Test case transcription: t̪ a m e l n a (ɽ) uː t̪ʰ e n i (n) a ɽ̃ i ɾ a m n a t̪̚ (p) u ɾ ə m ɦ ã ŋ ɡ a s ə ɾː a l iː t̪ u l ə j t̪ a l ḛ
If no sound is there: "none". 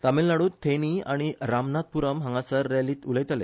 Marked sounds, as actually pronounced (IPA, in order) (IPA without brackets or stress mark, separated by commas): ɽ, none, p